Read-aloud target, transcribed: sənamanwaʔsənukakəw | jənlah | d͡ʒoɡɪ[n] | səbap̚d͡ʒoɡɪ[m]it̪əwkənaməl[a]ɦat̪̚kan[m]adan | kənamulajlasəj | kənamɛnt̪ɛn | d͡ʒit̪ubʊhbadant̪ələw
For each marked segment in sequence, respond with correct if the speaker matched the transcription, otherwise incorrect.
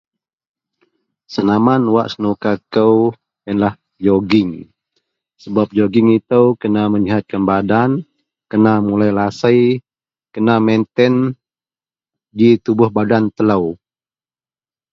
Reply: incorrect, incorrect, incorrect, incorrect

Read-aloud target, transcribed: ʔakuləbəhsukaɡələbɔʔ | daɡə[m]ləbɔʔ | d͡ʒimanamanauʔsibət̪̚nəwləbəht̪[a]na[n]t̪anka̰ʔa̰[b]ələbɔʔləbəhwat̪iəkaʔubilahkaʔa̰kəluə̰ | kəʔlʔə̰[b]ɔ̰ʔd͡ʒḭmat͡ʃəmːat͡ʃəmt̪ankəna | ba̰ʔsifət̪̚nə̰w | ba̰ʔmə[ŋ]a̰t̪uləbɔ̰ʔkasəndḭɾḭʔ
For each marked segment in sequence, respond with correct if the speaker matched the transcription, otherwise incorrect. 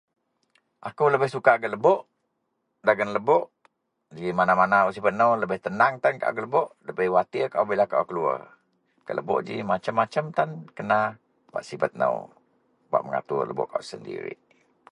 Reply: incorrect, incorrect, incorrect, incorrect, correct, correct

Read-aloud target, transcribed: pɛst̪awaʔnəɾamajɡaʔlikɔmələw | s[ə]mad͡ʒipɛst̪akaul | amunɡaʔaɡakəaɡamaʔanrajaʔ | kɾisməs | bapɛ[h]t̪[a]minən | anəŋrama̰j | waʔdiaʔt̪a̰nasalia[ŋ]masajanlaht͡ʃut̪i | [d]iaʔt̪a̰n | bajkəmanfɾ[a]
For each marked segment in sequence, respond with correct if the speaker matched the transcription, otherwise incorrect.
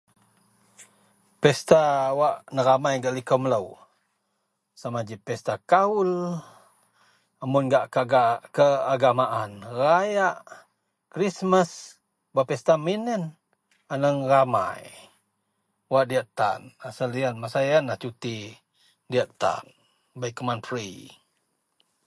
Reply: incorrect, incorrect, correct, incorrect, correct, incorrect

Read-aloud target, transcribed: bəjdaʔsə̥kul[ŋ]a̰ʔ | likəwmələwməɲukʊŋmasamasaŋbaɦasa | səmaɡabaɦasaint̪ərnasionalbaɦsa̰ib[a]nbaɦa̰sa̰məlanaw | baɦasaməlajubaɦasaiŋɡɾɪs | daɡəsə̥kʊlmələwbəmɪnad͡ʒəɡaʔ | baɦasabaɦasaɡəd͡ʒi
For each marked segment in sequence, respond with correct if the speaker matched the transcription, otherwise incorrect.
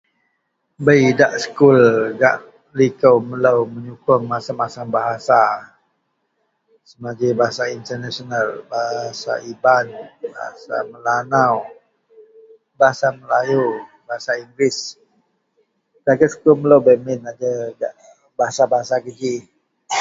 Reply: incorrect, correct

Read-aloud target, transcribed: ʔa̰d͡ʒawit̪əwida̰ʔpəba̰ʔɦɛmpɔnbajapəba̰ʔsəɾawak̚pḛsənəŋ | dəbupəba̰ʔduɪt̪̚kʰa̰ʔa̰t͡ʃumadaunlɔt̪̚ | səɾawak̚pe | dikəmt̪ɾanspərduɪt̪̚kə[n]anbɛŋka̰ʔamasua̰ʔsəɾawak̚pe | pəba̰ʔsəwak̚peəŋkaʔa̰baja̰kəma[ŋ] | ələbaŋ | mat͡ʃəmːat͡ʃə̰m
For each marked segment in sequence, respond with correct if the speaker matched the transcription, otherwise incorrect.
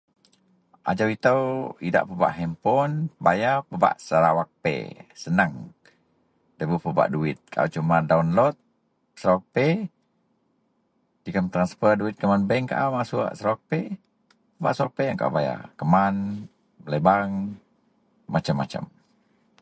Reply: incorrect, incorrect

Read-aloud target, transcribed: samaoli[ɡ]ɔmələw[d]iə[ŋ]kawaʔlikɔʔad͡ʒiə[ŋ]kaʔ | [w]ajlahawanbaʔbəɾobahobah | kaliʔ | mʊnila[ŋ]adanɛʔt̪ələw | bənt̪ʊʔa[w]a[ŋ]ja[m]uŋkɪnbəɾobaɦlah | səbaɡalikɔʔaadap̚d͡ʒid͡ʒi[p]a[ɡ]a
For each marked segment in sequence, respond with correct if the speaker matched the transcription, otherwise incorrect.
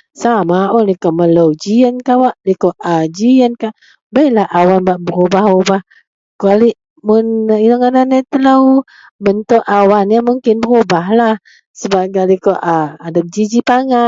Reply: incorrect, incorrect, incorrect, incorrect, incorrect, correct, correct, incorrect, correct, correct, incorrect

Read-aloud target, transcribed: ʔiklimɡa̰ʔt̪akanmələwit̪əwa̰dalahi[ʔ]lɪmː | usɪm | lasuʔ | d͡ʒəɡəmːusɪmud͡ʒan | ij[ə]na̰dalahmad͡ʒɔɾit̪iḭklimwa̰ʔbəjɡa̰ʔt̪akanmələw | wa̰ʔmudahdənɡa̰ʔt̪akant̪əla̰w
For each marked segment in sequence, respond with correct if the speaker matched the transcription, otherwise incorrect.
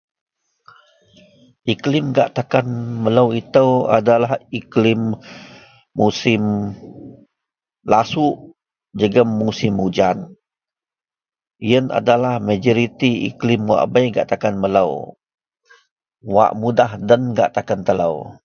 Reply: incorrect, correct

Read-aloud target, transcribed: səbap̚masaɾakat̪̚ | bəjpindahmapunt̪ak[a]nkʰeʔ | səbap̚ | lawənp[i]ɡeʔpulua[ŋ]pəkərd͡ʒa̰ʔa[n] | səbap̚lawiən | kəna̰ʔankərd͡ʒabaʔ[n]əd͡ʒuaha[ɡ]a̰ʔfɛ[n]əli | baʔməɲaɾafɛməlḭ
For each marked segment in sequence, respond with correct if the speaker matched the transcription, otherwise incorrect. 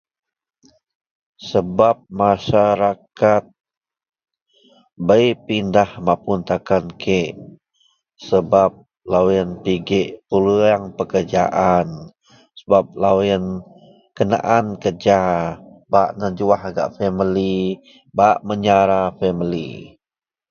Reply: correct, correct, correct, correct, correct, correct, incorrect

